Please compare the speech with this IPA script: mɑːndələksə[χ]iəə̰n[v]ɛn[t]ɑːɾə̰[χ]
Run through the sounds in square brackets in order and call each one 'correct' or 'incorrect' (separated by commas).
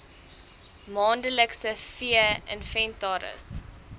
incorrect, incorrect, correct, incorrect